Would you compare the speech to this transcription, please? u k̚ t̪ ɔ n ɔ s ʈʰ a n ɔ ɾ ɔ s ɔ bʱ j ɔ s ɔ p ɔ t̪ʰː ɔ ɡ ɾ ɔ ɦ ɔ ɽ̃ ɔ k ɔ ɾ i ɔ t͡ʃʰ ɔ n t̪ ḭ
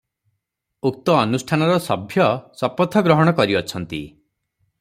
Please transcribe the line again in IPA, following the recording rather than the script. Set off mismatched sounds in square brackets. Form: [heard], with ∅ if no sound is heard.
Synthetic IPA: u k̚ t̪ [ɔː] n [u] s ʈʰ a n ɔ ɾ ɔ s ɔ bʱ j ɔ s ɔ p ɔ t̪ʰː ɔ ɡ ɾ ɔ ɦ ɔ ɽ̃ ɔ k ɔ ɾ i ɔ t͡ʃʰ ɔ n t̪ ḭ